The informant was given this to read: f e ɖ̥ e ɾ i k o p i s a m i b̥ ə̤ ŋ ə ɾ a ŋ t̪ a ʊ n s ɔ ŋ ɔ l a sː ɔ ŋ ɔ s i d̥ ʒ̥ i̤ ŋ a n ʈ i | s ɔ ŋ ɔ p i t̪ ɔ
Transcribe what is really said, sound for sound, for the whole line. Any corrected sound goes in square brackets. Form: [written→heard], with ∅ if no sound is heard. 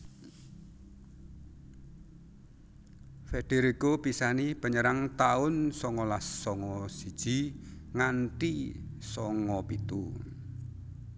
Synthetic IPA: f e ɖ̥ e ɾ i k o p i s a [m→n] i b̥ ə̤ [ŋ→ɲ] ə ɾ a ŋ t̪ a ʊ n s ɔ ŋ ɔ l a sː ɔ ŋ ɔ s i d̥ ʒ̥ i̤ ŋ a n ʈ i | s ɔ ŋ ɔ p i t̪ [ɔ→u]